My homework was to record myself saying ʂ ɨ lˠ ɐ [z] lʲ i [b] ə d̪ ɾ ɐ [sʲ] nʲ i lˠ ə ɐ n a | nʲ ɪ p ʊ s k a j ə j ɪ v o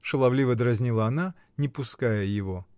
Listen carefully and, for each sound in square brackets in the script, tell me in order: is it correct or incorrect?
incorrect: v, incorrect: v, incorrect: zʲ

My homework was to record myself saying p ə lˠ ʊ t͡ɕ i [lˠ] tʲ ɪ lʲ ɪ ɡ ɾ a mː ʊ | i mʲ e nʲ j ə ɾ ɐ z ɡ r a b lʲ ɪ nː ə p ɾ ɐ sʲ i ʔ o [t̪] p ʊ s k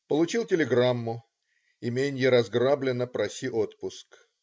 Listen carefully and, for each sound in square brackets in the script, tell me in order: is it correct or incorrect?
correct, correct

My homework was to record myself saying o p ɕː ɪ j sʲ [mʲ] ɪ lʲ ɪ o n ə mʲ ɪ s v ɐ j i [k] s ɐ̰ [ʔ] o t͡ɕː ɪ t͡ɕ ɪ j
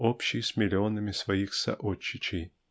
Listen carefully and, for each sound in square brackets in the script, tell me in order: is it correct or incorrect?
correct, incorrect: x, correct

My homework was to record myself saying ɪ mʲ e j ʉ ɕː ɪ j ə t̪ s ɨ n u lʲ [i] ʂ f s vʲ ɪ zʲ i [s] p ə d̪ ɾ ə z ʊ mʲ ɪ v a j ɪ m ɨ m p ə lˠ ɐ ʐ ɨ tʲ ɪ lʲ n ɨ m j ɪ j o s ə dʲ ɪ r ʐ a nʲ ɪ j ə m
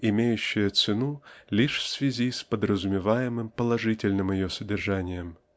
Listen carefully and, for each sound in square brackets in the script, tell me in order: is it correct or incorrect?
correct, correct

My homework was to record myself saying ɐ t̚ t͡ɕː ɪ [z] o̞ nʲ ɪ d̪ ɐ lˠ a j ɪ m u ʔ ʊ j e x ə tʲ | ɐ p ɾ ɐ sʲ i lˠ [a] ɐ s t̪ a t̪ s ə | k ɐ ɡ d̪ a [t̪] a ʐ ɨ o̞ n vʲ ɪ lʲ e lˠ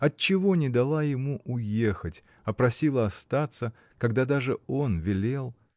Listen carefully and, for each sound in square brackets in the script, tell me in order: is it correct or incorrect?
incorrect: v, incorrect: ə, incorrect: d̪

